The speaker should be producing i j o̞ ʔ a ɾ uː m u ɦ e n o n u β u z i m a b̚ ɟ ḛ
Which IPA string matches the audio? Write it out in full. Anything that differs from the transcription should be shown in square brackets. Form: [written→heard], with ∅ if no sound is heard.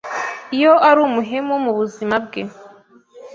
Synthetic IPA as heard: i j o̞ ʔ a ɾ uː m u ɦ e [n→m] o [n→m] u β u z i m a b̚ [ɟ→ɡ] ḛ